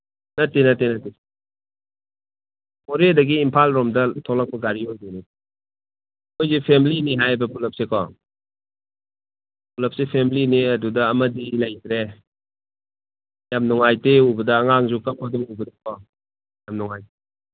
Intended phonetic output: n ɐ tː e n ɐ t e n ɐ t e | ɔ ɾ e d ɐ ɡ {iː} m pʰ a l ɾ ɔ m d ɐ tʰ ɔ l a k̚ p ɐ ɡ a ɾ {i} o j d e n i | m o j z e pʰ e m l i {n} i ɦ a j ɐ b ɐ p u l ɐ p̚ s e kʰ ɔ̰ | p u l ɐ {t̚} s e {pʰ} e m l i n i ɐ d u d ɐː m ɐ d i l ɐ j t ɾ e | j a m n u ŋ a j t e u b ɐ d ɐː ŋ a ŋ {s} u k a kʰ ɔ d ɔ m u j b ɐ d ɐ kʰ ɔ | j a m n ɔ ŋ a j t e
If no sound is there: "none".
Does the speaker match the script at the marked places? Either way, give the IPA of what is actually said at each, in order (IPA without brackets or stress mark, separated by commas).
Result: iː, i, n, p̚, pʰ, z